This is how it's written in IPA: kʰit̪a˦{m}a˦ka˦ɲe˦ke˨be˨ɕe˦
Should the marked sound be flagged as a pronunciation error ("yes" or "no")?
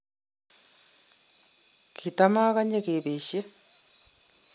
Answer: no